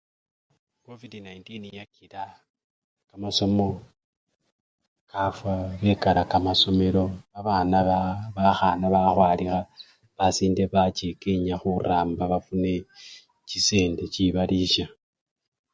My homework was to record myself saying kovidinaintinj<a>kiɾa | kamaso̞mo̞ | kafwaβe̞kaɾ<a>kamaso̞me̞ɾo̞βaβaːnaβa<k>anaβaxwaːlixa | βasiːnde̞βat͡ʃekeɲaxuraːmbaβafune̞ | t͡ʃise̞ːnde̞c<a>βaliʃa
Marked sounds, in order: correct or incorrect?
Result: correct, correct, incorrect: x, incorrect: i

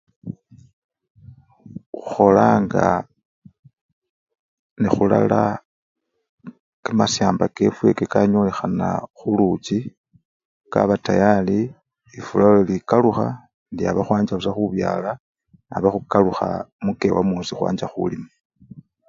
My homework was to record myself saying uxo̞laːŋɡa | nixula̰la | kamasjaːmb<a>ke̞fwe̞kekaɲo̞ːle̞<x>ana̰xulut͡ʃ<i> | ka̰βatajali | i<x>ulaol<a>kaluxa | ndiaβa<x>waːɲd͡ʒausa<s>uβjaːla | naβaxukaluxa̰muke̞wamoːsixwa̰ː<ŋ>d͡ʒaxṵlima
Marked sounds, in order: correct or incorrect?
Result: correct, correct, correct, incorrect: f, incorrect: i, correct, incorrect: x, incorrect: ɲ

